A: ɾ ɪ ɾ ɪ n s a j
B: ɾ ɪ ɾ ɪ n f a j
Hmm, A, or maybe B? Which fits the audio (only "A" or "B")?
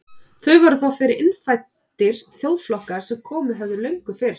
B